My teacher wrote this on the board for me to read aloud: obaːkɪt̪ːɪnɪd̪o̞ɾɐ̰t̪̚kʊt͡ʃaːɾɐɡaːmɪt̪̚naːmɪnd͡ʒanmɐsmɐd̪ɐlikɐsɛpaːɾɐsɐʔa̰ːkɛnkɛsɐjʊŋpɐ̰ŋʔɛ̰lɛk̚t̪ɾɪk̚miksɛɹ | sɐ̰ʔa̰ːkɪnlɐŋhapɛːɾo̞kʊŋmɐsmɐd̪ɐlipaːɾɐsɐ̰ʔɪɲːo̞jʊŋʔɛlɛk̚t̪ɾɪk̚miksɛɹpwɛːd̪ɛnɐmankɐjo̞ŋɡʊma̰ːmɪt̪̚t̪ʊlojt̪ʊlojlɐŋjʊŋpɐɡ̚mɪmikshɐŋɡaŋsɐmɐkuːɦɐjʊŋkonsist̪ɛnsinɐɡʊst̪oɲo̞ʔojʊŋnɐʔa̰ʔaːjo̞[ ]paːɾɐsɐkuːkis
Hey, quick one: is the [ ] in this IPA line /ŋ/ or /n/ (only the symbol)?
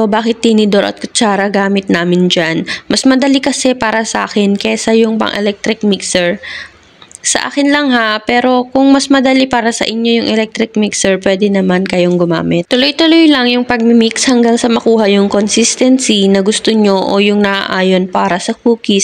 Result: n